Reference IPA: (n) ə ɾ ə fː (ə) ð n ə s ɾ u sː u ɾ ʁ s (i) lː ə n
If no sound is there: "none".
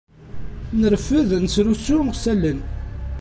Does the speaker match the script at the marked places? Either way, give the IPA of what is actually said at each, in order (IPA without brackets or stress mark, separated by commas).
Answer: n, ə, æ